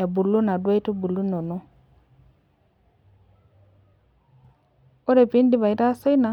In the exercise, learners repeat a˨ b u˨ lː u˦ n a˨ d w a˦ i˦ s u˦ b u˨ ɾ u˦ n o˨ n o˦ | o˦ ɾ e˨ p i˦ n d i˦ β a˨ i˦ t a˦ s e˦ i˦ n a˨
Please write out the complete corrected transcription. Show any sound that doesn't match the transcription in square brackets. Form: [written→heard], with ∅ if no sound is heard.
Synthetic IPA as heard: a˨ b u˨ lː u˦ n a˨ d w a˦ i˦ [s→t] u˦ b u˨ [ɾ→l] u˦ n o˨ n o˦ | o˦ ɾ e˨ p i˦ n d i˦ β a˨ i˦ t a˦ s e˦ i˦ n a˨